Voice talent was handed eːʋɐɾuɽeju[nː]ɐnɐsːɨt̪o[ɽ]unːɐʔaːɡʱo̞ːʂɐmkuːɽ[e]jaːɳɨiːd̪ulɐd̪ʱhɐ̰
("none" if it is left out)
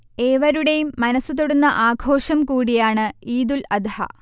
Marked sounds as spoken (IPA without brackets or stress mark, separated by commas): mː, ɽ, i